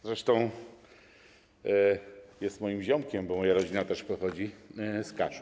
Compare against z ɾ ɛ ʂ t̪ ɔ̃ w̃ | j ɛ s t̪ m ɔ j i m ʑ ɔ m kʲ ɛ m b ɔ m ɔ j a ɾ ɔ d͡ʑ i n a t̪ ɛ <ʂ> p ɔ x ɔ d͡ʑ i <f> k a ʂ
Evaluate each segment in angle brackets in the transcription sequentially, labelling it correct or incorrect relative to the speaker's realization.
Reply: correct, incorrect

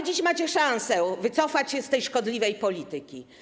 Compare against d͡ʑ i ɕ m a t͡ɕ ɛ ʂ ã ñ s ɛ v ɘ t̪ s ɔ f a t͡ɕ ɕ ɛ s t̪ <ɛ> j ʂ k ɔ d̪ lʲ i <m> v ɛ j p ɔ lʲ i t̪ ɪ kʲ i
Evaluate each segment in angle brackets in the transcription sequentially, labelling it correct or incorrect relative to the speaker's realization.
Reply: correct, incorrect

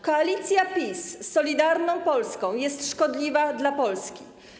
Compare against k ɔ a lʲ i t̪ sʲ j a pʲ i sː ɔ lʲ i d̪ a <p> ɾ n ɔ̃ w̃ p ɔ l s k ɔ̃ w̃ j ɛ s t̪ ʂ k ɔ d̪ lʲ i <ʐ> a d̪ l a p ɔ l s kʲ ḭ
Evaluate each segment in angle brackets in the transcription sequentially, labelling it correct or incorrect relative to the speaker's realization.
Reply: incorrect, incorrect

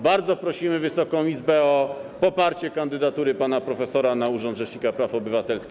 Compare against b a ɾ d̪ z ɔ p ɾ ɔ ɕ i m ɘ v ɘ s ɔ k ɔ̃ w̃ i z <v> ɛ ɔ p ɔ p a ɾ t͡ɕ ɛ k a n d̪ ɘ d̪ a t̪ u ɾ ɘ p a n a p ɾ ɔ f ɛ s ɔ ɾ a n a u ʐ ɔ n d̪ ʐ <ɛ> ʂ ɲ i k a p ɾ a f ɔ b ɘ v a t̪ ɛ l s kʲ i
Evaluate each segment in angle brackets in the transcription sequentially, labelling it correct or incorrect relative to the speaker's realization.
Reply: incorrect, correct

